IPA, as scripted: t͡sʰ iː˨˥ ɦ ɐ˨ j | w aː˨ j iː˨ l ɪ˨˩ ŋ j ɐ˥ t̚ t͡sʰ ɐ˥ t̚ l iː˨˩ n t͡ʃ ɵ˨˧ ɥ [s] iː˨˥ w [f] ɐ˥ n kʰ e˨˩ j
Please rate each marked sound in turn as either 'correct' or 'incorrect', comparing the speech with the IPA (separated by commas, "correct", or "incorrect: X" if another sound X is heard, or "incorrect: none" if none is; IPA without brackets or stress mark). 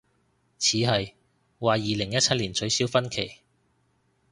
correct, correct